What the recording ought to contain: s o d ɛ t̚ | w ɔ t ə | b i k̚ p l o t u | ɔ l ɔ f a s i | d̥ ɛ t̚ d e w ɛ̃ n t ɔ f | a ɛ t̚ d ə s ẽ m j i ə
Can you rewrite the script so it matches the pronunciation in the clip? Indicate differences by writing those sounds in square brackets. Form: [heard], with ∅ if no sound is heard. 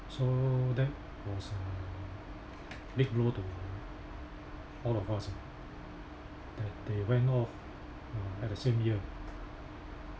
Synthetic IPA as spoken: s o d ɛ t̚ | w ɔ [s] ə | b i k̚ [b] l o t u | ɔ l ɔ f a s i | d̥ ɛ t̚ d e w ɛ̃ n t ɔ f | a ɛ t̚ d ə s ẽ m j i ə